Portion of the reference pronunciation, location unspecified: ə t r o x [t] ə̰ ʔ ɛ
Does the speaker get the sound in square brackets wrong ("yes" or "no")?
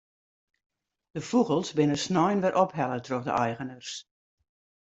yes